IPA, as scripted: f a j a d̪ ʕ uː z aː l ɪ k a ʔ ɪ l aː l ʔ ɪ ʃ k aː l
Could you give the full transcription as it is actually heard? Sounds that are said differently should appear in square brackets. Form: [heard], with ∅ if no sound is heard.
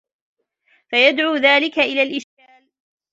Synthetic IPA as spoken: f a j a d̪ ʕ uː [ð] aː l ɪ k a ʔ ɪ l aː l ʔ ɪ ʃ k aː l